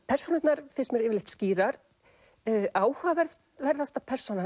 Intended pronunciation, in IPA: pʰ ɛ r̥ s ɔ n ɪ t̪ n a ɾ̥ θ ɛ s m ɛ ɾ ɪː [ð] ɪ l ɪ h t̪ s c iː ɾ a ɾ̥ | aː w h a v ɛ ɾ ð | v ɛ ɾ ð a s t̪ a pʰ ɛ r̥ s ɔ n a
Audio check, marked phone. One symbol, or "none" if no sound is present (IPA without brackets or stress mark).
v